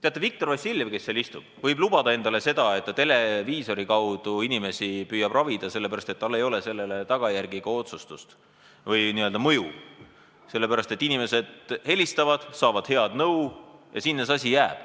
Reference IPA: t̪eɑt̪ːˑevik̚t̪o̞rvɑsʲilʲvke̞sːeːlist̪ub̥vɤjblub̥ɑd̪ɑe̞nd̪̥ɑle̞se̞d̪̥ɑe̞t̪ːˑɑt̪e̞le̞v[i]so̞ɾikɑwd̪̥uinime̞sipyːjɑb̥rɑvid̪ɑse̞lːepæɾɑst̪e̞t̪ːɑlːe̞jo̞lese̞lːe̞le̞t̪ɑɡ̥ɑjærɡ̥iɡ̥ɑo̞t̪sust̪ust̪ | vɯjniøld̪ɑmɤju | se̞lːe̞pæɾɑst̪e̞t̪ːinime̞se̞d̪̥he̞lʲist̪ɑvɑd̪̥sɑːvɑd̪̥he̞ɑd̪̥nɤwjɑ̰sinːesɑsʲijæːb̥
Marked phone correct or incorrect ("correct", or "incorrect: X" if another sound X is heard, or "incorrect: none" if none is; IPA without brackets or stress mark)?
incorrect: iː